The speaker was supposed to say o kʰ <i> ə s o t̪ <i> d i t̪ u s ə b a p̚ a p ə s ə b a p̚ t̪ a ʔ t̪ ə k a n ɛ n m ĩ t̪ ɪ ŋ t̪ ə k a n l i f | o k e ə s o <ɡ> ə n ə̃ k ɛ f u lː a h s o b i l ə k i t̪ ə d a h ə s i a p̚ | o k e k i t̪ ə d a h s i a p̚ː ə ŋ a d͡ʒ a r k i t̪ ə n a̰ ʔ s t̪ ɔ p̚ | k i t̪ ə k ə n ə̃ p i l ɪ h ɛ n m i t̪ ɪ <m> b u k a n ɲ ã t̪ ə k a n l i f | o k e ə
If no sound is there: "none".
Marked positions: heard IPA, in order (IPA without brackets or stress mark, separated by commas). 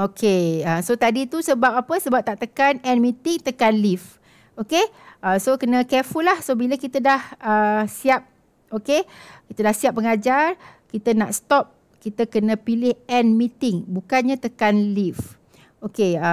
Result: e, a, k, ŋ